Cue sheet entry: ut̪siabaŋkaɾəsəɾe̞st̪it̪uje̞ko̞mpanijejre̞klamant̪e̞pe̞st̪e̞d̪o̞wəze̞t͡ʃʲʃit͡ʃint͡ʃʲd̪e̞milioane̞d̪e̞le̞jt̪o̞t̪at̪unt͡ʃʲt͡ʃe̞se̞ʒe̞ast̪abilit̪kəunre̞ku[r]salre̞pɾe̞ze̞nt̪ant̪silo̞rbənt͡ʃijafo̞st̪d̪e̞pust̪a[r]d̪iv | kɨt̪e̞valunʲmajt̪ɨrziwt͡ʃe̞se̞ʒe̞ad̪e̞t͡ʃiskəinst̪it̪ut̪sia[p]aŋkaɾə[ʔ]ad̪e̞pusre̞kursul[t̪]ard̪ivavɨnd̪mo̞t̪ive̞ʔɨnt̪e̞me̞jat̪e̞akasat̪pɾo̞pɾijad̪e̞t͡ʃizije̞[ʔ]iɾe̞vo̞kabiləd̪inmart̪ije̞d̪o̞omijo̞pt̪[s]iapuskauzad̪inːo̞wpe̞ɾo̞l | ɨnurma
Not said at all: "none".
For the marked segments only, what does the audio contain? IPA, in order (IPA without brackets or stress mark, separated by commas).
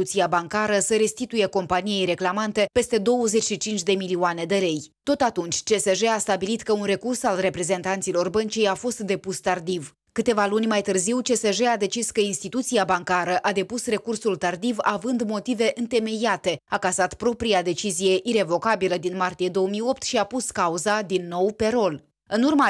r, r, b, ʔ, t̪, ʔ, ʃ